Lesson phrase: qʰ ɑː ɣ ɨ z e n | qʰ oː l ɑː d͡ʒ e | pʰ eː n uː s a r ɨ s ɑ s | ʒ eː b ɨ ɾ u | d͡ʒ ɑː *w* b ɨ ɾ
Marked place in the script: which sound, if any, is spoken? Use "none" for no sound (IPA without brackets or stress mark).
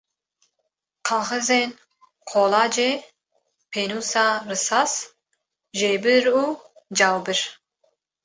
w